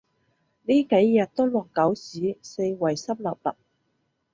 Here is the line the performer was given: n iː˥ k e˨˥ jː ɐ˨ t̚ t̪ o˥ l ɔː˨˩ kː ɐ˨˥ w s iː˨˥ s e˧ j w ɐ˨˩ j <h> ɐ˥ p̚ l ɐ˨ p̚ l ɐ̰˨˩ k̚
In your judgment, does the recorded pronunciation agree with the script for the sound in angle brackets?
no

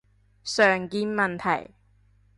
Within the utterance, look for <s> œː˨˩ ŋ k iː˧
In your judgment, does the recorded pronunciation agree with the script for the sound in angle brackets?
yes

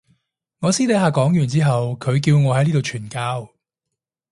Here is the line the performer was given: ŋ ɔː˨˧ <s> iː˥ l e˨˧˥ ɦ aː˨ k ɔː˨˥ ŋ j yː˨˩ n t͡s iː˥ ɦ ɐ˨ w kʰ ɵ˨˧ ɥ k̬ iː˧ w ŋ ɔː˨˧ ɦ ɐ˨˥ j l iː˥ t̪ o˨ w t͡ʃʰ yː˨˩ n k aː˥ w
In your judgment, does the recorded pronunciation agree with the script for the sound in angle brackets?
yes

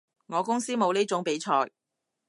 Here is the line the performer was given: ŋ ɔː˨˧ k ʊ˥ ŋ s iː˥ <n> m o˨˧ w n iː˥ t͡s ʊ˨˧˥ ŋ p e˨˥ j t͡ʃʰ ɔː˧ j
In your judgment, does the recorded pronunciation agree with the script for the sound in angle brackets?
no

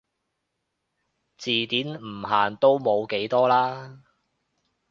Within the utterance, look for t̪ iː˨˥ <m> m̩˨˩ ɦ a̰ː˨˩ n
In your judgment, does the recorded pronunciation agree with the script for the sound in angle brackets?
no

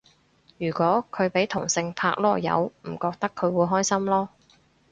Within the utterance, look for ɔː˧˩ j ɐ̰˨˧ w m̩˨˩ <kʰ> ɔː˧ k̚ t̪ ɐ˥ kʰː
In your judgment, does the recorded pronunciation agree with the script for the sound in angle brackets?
no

